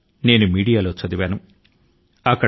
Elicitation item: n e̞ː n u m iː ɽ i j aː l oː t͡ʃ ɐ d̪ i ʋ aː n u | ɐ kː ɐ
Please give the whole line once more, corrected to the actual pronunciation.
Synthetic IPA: n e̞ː n u m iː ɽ i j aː l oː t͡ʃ ɐ d̪ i ʋ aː n u | ɐ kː ɐ

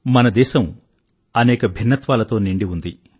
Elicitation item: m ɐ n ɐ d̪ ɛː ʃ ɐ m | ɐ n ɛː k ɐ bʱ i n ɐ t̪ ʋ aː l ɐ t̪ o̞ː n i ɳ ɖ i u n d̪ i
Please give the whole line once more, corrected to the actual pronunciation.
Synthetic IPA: m ɐ n ɐ d̪ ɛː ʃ ɐ m | ɐ n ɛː k ɐ bʱ i nː ɐ t̪ ʋ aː l ɐ t̪ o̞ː n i ɳ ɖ i u n d̪ i

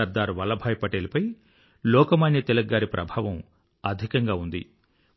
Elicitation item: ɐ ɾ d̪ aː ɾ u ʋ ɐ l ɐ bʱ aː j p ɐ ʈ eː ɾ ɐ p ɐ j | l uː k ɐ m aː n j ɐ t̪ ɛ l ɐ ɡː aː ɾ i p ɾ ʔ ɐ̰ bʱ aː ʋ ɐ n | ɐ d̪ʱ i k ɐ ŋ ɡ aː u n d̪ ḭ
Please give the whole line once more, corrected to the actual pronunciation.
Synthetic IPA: ɐ ɾ d̪ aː ɾ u ʋ ɐ l ɐ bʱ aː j p ɐ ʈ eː l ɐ p ɐ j | l ɔː k ɐ m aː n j ɐ t̪ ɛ l ɐ ɡː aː ɾ i p ɾ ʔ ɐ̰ bʱ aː ʋ ɐ m | ɐ d̪ʱ i k ɐ ŋ ɡ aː u n d̪ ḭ

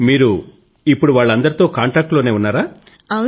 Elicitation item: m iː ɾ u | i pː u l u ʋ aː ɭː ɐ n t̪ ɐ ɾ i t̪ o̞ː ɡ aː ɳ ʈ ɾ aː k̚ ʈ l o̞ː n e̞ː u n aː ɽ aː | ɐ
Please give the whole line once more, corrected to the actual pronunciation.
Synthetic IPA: m iː ɾ u | i pː u ɽ u ʋ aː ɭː ɐ n d̪ ɐ ɾ i t̪ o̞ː k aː ɳ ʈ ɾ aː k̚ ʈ l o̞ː n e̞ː u nː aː ɾ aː | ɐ

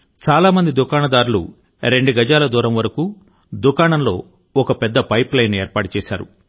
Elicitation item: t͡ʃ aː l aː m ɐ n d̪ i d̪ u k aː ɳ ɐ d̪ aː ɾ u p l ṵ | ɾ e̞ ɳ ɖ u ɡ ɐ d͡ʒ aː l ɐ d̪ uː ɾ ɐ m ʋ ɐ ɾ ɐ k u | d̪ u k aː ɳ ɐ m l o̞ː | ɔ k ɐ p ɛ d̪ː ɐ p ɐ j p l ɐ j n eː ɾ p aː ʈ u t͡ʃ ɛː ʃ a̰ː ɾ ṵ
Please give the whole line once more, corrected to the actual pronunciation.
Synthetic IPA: t͡ʃ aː l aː m ɐ n d̪ i d̪ u k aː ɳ ɐ d̪ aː ɾ u l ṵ | ɾ e̞ ɳ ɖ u ɡ ɐ d͡ʒ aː l ɐ d̪ uː ɾ ɐ m ʋ ɐ ɾ ɐ k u | d̪ u k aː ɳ ɐ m l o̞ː | ɔ k ɐ p ɛ d̪ː ɐ p ɐ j p l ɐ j n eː ɾ p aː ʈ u t͡ʃ ɛː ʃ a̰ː ɾ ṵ

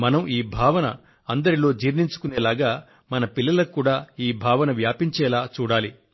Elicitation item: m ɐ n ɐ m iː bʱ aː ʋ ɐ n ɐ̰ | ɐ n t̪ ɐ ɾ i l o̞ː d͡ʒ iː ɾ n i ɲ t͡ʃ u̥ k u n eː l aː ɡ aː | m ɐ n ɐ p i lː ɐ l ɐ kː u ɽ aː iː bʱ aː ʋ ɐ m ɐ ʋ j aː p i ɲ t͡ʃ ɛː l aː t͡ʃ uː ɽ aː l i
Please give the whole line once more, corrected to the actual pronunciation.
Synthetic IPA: m ɐ n ɐ m iː bʱ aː ʋ ɐ n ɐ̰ | ɐ n d̪ ɐ ɾ i l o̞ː d͡ʒ iː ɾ n i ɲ t͡ʃ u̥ k u n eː l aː ɡ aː | m ɐ n ɐ p i lː ɐ l ɐ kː uː ɽ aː iː bʱ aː ʋ ɐ n ɐ ʋ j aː p i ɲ t͡ʃ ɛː l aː t͡ʃ uː ɽ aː l i

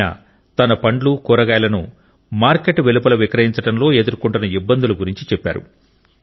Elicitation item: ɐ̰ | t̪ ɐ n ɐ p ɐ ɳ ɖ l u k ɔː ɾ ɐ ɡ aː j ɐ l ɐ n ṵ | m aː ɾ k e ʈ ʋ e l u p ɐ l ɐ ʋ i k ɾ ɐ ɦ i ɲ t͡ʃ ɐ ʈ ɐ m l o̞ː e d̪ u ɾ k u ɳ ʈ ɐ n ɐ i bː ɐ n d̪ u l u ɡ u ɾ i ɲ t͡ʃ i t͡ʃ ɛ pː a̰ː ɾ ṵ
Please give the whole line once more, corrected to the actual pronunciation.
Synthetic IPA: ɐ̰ | t̪ ɐ n ɐ p ɐ ɳ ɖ l u k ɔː ɾ ɐ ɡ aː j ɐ l ɐ n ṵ | m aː ɾ k e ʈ ʋ e l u p ɐ l ɐ ʋ i k ɾ ɐ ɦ i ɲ t͡ʃ ɐ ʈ ɐ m l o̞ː e d̪ u ɾ k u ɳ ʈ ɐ n ɐ i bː ɐ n d̪ u l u ɡ u ɾ i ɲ t͡ʃ i t͡ʃ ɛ pː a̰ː ɾ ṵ

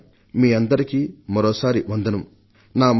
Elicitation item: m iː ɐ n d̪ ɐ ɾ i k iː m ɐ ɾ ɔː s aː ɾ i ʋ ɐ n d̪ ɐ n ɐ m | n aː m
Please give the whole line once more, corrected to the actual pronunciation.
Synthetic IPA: m iː ɐ n d̪ ɐ ɾ i k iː m ɐ ɾ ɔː s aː ɾ i ʋ ɐ n d̪ ɐ n ɐ m | n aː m

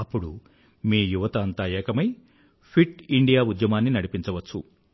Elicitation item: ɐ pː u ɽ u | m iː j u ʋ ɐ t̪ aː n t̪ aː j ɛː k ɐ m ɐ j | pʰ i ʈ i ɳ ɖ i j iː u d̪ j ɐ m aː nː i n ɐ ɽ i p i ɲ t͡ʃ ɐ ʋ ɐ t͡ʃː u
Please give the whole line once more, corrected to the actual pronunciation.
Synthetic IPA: ɐ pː u ɽ u | m iː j u ʋ ɐ t̪ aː n t̪ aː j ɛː k ɐ m ɐ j | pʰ i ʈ i ɳ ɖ i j aː u d̪ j ɐ m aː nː i n ɐ ɽ i p i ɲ t͡ʃ ɐ ʋ ɐ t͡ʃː u

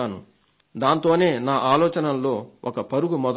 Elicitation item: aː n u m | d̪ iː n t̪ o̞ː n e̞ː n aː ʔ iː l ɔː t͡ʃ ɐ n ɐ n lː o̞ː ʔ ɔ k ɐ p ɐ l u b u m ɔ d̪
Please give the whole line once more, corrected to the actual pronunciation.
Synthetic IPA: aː n u | d̪ aː n t̪ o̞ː n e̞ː n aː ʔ aː l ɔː t͡ʃ ɐ n ɐ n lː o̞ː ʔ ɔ k ɐ p ɐ ɾ u ɡ u m ɔ d̪

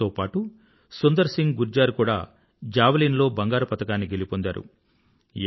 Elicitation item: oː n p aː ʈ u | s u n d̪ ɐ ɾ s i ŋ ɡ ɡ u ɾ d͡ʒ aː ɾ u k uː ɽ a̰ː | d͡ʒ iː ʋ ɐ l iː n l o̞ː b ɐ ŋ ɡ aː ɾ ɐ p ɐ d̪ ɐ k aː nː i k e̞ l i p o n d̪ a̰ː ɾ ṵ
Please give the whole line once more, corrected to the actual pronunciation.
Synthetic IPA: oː p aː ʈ u | s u n d̪ ɐ ɾ s i ŋ ɡ ɡ u ɾ d͡ʒ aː ɾ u k uː ɽ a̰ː | d͡ʒ aː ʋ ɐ l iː n l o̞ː b ɐ ŋ ɡ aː ɾ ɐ p ɐ t̪ ɐ k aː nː i ɡ e̞ l i p o n d̪ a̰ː ɾ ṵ

